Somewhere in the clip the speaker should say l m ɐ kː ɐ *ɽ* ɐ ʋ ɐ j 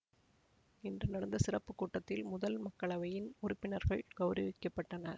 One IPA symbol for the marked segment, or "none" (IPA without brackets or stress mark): ɭ